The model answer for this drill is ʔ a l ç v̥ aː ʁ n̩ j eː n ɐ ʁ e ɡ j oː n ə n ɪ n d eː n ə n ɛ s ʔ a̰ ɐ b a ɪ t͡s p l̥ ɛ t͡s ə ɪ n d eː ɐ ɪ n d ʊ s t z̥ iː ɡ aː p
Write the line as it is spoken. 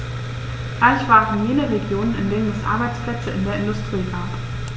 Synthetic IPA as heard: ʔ a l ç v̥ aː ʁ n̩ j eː n ə ʁ e ɡ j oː n ə n ɪ n d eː n ə n ɛ s ʔ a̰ ɐ b a ɪ t͡s p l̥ ɛ t͡s ə ɪ n d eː ɐ ɪ n d ʊ s t ʁ̥ iː ɡ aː p

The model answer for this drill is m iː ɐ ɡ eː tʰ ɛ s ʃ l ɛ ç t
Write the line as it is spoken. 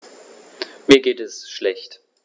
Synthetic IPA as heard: m iː ɐ ɡ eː t ɛ s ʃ l ɛ ç t

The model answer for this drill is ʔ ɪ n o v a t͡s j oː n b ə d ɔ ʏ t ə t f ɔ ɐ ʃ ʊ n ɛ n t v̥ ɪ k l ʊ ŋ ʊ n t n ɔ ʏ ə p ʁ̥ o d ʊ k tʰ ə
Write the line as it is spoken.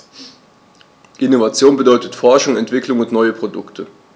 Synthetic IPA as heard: ʔ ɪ n o v a t͡s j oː n b ə d ɔ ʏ t ə t f ɔ ɐ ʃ ʊ ŋ ɛ n t v̥ ɪ k l ʊ ŋ ʊ n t n ɔ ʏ ə p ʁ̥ o d ʊ k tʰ ə

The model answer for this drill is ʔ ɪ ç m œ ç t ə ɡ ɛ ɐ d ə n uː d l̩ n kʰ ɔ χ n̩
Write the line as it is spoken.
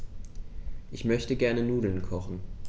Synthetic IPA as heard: ʔ ɪ ç m œ ç t ə ɡ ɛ ɐ n ə n uː d l̩ n kʰ ɔ χ n̩

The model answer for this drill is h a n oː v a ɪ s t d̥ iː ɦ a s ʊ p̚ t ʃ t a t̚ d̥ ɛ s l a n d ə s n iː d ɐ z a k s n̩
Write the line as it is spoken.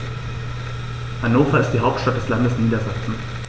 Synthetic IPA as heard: h a n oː f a ɪ s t d̥ iː ɦ a ʊ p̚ t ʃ t a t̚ d̥ ɛ s l a n d ə s n iː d ɐ z a k s n̩

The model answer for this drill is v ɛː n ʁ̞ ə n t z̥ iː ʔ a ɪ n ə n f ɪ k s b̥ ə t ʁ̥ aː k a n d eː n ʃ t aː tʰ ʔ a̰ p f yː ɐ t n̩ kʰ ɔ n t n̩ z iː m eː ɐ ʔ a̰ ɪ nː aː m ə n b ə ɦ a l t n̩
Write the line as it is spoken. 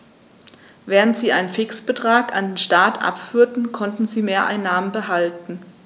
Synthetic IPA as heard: v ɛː ʁ̞ ə n t z̥ iː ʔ a ɪ n ə n f ɪ k s b̥ ə t ʁ̥ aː k a n d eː n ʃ t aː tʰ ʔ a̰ p f yː ɐ t n̩ kʰ ɔ n t n̩ z iː m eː ɐ ʔ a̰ ɪ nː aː m ə n b ə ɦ a l t n̩

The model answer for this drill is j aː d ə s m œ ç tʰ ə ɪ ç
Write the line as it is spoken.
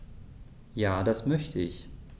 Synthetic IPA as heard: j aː d a s m œ ç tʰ ə ɪ ç

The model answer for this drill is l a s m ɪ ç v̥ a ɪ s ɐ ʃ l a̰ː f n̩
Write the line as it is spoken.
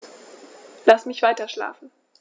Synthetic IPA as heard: l a s m ɪ ç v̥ a ɪ t ɐ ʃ l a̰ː f n̩

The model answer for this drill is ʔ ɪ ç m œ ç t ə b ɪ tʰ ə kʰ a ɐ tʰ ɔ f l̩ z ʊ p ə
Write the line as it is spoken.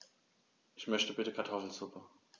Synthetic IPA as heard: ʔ ɪ ç m œ ç t ə b ɪ t ə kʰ a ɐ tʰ ɔ f l̩ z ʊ p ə

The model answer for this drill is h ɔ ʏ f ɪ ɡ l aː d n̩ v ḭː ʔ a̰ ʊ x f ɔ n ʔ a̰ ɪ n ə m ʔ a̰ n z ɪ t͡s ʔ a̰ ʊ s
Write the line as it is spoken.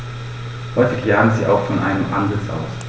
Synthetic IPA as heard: h ɔ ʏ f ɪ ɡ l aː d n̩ z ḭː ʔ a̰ ʊ x f ɔ n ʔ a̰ ɪ n ə m ʔ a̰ n z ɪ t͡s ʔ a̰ ʊ s

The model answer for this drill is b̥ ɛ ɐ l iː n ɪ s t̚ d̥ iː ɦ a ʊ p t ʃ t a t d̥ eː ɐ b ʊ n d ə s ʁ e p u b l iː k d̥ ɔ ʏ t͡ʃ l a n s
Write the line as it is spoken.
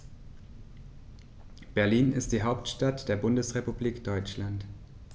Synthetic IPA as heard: b̥ ɛ ɐ l iː n ɪ s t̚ d̥ iː ɦ a ʊ p t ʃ t a t d̥ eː ɐ b ʊ n d ə s ʁ e p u b l iː k d̥ ɔ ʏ t͡ʃ l a n t

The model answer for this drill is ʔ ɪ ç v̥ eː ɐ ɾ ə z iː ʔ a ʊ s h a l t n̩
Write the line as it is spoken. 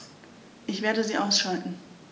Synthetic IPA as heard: ʔ ɪ ç v̥ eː ɐ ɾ ə z iː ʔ a ʊ s ʃ a l t n̩

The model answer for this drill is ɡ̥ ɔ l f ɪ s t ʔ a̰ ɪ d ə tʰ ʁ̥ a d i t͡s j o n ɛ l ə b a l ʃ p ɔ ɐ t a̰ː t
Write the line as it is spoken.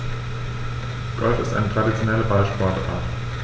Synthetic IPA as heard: ɡ̥ ɔ l f ɪ s t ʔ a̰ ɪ n ə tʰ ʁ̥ a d i t͡s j o n ɛ l ə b a l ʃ p ɔ ɐ t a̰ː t

